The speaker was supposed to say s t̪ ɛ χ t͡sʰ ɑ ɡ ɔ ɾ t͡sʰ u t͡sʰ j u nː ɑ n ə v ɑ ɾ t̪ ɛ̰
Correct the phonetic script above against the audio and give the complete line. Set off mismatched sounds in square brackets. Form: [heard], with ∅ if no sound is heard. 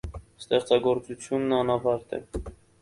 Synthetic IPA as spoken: s t̪ ɛ χ [t͡s] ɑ ɡ ɔ ɾ [t͡s] u t͡sʰ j u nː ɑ n [ɑ] v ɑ ɾ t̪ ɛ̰